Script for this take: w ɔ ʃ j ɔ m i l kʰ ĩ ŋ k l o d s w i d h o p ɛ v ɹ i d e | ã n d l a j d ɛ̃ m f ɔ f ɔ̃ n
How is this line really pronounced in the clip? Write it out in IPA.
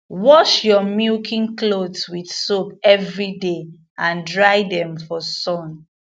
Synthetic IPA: w ɔ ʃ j ɔ m i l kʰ ĩ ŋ k l o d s w i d s o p ɛ v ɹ i d e | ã n d ɹ a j d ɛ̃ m f ɔ s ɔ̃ n